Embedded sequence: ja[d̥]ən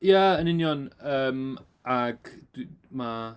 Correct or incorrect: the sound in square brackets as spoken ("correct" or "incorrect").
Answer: incorrect